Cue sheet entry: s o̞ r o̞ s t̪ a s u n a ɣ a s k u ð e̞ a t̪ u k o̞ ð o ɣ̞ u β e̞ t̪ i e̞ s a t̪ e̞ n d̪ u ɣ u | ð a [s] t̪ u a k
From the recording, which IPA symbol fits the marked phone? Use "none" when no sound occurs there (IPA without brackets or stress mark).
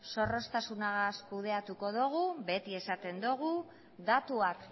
none